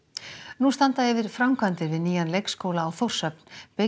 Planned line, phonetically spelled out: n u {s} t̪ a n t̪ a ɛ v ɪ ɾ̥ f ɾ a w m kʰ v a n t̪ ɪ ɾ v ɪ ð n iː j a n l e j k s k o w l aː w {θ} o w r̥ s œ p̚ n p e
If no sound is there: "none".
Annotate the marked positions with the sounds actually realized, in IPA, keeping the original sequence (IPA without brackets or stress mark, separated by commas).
s, θ